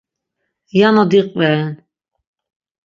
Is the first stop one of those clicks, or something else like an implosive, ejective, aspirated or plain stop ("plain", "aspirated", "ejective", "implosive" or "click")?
plain